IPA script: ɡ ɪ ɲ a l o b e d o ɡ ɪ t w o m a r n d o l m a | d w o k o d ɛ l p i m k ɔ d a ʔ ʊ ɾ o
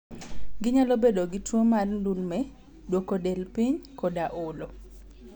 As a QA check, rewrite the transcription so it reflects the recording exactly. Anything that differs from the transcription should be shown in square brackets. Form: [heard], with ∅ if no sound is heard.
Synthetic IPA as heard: ɡ ɪ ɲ a l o b e d o ɡ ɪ t w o m a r n d [u] l m [ɛ] | d w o k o d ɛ l p i [ɲ] k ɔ d a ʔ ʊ [l] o

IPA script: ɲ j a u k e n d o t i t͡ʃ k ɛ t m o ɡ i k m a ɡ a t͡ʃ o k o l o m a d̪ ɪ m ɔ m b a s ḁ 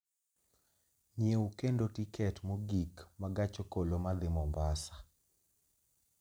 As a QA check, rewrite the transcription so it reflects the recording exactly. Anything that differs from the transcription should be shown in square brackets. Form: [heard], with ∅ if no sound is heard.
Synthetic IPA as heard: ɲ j [e] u k e n d o t i [∅] k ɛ t m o ɡ i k m a ɡ a t͡ʃ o k o l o m a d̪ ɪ m ɔ m b a s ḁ

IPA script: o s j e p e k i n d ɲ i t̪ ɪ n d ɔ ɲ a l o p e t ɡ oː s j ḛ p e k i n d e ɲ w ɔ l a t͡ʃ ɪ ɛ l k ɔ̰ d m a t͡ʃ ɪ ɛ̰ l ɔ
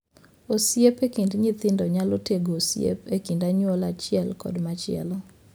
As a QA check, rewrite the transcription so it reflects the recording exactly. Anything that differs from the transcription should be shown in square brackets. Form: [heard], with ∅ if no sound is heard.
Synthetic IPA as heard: o s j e p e k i n d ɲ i t̪ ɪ n d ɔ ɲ a l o [t] e [∅] ɡ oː s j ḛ p e k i n d [a] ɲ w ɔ l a t͡ʃ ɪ ɛ l k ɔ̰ d m a t͡ʃ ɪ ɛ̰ l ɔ

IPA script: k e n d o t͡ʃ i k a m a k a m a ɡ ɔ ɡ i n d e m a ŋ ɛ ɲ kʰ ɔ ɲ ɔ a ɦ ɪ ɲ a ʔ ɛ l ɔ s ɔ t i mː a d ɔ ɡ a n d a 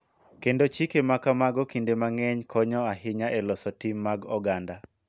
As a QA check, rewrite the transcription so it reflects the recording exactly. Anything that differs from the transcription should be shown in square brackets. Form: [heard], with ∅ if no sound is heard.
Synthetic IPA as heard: k e n d o t͡ʃ i k [e] m a k a m a ɡ ɔ [k] i n d e m a ŋ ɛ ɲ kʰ ɔ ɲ ɔ a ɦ ɪ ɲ a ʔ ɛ l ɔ s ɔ t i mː a [ɡ] ɔ ɡ a n d a

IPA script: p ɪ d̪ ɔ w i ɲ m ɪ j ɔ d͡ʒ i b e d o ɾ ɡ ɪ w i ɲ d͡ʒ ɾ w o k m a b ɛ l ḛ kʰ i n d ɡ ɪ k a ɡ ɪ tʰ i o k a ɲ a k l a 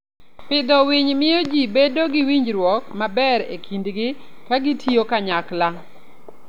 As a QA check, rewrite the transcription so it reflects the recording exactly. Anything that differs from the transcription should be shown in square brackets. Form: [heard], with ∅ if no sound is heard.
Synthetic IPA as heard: p ɪ d̪ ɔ w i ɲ m ɪ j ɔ d͡ʒ i b e d o [∅] ɡ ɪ w i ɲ d͡ʒ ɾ w [ɔ] k m a b ɛ [ɾ] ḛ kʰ i n d ɡ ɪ k a ɡ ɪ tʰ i o k a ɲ a k l a

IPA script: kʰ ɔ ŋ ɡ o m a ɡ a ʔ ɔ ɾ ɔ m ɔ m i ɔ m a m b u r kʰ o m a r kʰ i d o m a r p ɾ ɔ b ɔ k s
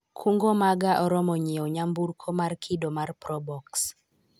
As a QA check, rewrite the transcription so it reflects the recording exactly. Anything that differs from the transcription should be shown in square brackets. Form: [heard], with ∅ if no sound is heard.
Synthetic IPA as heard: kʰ [u] ŋ ɡ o m a ɡ a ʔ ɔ ɾ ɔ m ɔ [ɲ] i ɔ [ɲ] a m b u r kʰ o m a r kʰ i d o m a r p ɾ ɔ b ɔ k s

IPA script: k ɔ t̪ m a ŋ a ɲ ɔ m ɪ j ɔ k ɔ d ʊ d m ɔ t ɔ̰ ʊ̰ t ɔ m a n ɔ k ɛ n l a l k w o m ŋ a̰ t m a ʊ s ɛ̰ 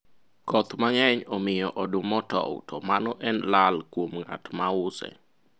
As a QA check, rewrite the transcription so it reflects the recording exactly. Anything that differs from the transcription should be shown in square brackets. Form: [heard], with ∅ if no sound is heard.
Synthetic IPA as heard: k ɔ t̪ m a ŋ [ɛ] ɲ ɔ m ɪ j ɔ [ʔ] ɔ d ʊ [∅] m ɔ t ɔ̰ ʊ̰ t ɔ m a n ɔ [ʔ] ɛ n l a l k w o m ŋ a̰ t m a ʊ s ɛ̰

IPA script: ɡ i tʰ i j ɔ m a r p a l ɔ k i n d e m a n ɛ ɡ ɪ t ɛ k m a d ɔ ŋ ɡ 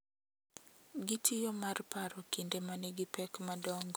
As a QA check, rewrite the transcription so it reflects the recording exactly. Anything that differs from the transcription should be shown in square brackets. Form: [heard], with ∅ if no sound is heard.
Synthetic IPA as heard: ɡ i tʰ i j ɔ m a r p a [ɾ] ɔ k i n d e m a n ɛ ɡ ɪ [p] ɛ k m a d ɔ ŋ ɡ

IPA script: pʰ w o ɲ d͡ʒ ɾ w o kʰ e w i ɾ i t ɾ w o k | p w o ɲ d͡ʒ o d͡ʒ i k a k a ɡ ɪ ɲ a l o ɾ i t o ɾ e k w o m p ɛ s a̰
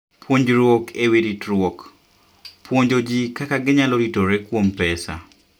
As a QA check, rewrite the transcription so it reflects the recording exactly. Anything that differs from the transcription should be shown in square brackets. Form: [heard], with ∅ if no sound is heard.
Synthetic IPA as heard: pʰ w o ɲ d͡ʒ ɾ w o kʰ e w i ɾ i t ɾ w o k | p w o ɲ d͡ʒ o d͡ʒ i k a k a ɡ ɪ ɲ a l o ɾ i t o ɾ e k w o m p ɛ s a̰

